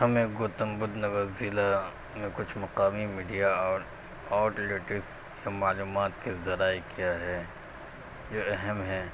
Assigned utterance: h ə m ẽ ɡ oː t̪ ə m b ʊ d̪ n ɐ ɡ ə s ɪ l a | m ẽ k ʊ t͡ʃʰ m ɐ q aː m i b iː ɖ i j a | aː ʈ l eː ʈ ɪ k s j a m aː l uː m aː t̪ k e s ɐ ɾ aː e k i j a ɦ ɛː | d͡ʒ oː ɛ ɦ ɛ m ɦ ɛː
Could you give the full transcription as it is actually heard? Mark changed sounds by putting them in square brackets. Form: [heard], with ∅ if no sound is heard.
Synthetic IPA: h [ɐ] m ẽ ɡ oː t̪ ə m b ʊ d̪ n ɐ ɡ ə [z] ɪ l a | m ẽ k ʊ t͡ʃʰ m ɐ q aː m i [m] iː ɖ i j a | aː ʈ l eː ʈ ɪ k s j a m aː l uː m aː t̪ k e [z] ɐ ɾ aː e k i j a ɦ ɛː | d͡ʒ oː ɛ ɦ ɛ m ɦ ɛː